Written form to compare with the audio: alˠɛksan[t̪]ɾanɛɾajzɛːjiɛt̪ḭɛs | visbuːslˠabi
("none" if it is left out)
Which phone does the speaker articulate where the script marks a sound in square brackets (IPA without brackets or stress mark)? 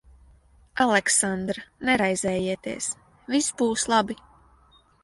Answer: d̪